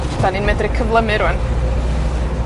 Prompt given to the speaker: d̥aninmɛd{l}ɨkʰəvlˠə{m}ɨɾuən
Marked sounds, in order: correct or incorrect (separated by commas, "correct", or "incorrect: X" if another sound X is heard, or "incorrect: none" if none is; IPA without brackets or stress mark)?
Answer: incorrect: r, correct